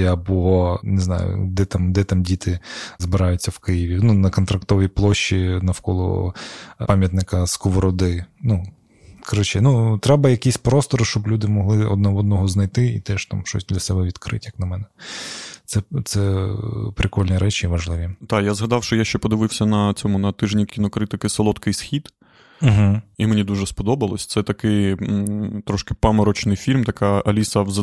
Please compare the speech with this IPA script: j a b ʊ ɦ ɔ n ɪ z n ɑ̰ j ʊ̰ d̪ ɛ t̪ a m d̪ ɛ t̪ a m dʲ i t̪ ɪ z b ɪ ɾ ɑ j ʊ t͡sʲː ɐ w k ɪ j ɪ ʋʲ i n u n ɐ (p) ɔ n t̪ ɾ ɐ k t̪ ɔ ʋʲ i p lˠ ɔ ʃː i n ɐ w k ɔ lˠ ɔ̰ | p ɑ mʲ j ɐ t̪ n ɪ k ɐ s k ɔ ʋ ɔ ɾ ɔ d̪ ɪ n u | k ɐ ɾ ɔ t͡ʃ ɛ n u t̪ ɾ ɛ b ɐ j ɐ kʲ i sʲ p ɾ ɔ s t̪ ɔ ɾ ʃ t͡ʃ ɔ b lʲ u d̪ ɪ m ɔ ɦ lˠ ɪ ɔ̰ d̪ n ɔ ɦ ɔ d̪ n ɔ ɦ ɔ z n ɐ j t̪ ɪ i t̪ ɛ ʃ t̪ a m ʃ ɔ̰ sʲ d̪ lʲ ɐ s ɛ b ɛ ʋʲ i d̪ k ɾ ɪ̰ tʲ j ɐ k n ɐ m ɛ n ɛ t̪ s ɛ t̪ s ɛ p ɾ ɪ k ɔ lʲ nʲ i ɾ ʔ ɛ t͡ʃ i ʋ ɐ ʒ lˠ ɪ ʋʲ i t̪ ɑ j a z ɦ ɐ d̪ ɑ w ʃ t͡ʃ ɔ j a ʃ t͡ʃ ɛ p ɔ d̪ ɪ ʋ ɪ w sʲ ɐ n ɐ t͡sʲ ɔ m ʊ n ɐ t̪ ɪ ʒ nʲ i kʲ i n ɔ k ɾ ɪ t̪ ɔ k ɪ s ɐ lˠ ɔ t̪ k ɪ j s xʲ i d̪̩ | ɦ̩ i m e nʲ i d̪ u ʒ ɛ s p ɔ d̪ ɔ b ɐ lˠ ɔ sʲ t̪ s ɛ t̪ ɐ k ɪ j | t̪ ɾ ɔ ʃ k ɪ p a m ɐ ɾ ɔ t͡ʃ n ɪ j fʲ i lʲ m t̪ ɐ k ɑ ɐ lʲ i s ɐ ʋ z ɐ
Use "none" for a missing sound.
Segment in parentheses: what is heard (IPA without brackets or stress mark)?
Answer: k